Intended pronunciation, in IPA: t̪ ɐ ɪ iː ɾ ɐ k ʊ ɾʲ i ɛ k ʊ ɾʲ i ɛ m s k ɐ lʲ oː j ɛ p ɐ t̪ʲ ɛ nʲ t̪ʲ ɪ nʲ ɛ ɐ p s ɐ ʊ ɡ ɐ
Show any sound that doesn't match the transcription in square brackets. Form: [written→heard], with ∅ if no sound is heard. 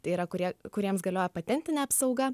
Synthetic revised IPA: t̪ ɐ ɪ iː ɾ ɐ k ʊ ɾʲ i ɛ k ʊ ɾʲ i ɛ m s [k→ɡ] ɐ lʲ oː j ɛ p ɐ t̪ʲ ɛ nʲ t̪ʲ ɪ nʲ ɛ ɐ p s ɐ ʊ ɡ ɐ